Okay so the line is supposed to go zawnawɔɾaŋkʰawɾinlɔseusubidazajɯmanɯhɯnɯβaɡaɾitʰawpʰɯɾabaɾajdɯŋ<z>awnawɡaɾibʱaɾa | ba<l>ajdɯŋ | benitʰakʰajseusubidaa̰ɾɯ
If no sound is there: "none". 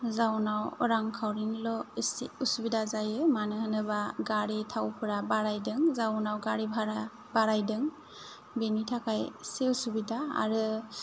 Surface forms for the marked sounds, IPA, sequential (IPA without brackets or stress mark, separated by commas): z, ɾ